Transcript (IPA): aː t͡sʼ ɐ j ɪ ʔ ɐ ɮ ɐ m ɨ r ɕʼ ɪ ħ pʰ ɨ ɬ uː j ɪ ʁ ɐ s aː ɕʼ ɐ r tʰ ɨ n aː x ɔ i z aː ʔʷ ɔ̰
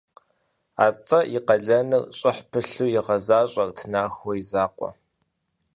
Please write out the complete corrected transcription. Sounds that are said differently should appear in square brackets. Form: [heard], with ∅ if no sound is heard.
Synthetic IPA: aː t͡sʼ ɐ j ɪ [q] ɐ ɮ ɐ [n] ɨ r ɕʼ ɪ ħ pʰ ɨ ɬ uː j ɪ ʁ ɐ [z] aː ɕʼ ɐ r tʰ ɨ n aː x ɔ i z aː [qʷ] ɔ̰